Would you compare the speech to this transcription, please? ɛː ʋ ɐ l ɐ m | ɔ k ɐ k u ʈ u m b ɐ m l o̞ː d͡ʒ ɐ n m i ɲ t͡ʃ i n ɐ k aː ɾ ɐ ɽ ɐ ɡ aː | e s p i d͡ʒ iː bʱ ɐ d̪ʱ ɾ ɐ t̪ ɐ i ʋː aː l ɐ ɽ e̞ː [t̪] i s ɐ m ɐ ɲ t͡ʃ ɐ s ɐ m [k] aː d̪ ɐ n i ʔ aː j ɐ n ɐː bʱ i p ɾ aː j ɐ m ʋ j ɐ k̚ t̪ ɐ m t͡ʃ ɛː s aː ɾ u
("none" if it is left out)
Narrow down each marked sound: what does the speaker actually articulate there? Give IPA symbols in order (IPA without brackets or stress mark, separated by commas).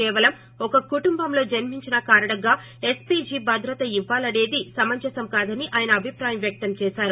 d̪, k